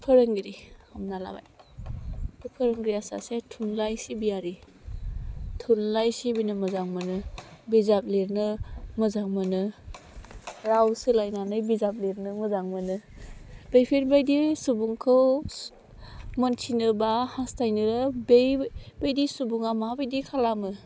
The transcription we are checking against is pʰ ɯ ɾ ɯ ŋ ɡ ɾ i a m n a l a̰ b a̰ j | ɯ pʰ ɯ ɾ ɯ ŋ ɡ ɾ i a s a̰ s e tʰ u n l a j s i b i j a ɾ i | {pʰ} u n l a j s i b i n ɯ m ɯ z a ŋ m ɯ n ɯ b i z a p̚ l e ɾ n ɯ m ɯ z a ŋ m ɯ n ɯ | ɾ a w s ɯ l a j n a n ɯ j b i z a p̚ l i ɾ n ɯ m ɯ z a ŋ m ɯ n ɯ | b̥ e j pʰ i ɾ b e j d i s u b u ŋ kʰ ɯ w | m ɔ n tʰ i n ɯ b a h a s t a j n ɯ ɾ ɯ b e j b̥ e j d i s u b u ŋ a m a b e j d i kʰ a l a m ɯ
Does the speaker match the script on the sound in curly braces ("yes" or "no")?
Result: no